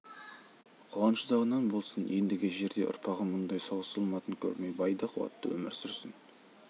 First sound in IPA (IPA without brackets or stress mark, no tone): qʰ